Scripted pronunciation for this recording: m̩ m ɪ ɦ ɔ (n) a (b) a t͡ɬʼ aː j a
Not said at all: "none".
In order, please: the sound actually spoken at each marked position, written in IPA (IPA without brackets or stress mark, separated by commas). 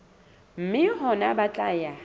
n, b